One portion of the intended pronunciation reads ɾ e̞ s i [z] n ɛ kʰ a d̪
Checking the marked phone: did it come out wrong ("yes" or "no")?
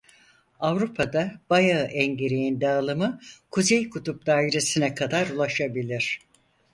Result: yes